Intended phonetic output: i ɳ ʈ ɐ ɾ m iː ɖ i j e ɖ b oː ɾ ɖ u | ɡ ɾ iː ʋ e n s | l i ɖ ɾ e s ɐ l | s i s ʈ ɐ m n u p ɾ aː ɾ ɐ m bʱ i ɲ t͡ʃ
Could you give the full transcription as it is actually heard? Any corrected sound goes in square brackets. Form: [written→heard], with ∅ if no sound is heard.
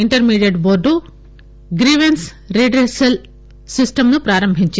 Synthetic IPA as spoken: i ɳ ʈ ɐ ɾ m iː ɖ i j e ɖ b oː ɾ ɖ u | ɡ ɾ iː ʋ e n s | [l→ɾ] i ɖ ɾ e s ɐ l | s i s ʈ ɐ m n u p ɾ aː ɾ ɐ m bʱ i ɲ t͡ʃ